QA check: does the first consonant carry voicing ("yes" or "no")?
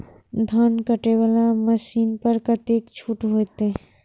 yes